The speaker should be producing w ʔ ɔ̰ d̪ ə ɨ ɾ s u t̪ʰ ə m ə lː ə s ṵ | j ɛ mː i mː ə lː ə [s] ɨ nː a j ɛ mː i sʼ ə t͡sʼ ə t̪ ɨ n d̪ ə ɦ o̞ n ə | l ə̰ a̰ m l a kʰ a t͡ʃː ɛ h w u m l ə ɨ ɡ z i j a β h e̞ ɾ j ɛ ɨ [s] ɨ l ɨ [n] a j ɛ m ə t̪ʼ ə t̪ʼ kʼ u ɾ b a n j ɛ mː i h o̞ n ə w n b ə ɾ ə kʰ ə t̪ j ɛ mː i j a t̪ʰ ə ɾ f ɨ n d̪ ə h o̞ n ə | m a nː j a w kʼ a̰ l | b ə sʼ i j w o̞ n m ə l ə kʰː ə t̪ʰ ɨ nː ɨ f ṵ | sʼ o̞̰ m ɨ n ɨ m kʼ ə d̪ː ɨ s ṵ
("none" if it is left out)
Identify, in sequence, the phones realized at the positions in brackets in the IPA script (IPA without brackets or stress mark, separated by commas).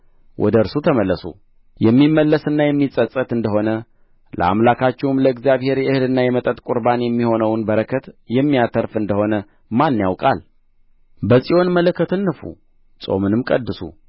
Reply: s, h, nː